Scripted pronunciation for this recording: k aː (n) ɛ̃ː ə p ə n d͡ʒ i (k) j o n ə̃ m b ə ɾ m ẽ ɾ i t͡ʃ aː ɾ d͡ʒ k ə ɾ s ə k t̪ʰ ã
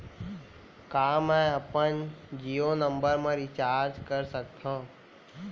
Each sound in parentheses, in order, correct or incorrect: incorrect: m, incorrect: none

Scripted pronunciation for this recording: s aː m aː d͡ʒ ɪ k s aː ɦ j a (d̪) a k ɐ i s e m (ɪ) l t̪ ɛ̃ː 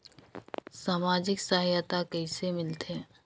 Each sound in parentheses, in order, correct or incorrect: incorrect: t̪, correct

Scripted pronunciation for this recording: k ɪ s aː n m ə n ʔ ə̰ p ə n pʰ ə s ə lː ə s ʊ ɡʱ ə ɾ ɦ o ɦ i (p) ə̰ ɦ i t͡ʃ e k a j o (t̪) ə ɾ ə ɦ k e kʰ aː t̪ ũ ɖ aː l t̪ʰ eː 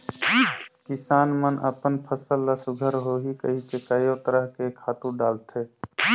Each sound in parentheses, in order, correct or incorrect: incorrect: k, correct

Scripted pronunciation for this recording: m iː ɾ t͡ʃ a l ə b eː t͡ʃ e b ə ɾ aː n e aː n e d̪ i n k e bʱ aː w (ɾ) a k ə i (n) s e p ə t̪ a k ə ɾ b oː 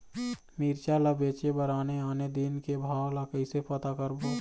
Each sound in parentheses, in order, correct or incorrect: incorrect: l, incorrect: none

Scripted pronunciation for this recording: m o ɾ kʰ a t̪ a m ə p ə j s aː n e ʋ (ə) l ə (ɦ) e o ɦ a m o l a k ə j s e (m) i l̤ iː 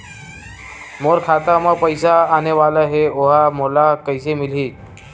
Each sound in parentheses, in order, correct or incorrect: incorrect: a, correct, correct

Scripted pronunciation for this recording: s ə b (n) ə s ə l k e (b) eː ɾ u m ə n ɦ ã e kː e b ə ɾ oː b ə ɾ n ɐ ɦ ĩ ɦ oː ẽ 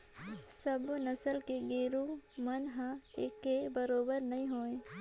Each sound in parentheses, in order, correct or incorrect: correct, incorrect: ɡ

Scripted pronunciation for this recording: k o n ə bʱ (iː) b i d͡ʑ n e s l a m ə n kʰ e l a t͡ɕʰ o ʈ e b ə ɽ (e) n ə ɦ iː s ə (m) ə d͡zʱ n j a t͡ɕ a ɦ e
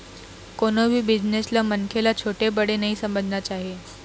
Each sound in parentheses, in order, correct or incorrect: correct, correct, correct

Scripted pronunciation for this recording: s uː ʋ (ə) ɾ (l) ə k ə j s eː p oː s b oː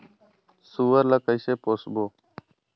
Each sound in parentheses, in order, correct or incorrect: correct, correct

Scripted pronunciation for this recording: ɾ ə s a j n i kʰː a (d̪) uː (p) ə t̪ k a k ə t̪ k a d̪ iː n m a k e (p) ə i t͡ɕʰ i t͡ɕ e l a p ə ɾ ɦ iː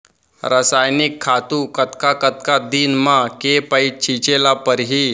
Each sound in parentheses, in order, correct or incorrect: incorrect: t̪, incorrect: k, correct

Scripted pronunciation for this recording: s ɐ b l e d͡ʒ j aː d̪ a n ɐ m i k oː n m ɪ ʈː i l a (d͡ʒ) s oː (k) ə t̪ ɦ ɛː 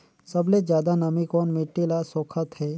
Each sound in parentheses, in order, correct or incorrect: incorrect: none, incorrect: kʰ

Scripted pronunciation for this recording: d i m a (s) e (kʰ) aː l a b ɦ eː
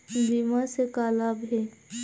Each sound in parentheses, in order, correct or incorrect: correct, incorrect: k

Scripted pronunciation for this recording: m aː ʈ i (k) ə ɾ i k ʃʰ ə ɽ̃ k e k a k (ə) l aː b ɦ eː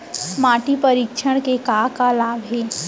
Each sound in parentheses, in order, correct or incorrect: incorrect: p, incorrect: a

